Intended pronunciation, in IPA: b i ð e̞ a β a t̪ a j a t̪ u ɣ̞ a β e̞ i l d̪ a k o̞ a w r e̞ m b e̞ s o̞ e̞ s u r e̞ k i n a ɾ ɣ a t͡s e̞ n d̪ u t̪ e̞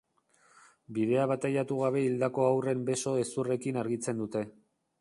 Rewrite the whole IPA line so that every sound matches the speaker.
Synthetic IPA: b i ð e̞ a β a t̪ a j a t̪ u ɣ̞ a β e̞ i l d̪ a k o̞ a w r e̞ m b e̞ s o̞ e̞ s u r e̞ k i n a ɾ ɣ i t͡s e̞ n d̪ u t̪ e̞